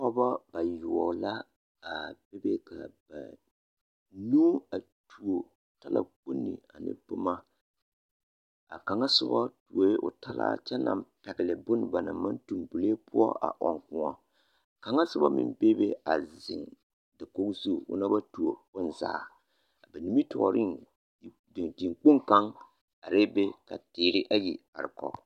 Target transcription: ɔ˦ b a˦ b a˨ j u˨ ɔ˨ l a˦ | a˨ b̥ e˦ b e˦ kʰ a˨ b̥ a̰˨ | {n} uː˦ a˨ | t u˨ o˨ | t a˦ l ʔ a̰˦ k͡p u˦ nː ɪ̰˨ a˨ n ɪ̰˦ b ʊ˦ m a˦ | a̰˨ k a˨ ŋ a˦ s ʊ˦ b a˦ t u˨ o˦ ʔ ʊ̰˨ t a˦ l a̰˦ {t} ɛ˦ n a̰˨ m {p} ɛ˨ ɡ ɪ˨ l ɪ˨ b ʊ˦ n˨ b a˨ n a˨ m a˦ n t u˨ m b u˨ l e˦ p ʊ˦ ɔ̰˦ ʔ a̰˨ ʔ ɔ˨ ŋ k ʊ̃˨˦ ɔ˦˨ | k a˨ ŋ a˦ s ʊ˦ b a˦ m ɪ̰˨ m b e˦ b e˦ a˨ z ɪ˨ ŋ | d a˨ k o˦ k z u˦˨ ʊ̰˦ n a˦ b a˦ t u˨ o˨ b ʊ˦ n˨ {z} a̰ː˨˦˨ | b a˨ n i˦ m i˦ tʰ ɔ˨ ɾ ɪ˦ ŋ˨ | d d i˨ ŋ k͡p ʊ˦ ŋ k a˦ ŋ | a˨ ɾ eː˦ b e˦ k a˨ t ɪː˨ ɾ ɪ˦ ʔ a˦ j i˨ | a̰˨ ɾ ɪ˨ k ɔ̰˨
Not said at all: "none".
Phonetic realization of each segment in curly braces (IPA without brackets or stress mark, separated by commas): n, t͡ʃ, p, z